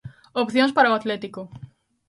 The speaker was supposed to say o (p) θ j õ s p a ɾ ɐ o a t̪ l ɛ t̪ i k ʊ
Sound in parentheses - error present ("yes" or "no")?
no